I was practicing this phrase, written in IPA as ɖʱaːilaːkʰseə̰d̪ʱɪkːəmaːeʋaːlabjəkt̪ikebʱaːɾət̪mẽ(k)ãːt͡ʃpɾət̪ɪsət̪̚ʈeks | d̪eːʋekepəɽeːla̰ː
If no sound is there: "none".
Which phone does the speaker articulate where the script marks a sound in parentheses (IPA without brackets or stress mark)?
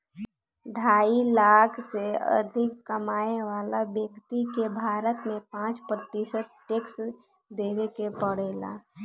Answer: p